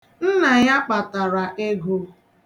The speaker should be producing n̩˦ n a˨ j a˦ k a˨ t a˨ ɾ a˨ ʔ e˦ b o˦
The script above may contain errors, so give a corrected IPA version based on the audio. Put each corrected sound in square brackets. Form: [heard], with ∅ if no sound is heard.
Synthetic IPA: n̩˦ n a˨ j a˦ [k͡p] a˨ t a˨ ɾ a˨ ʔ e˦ [ɡ] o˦